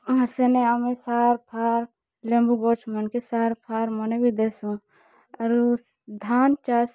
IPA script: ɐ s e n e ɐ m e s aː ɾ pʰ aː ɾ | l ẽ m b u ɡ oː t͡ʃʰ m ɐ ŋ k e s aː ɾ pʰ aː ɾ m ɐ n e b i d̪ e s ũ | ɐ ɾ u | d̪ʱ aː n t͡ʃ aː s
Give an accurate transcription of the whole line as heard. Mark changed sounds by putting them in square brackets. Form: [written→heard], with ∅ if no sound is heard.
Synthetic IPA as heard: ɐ s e n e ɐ m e s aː ɾ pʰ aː ɾ | l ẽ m b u ɡ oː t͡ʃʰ m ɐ [ŋ→n] k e s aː ɾ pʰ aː ɾ m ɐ n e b i d̪ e s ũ | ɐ ɾ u | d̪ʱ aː n t͡ʃ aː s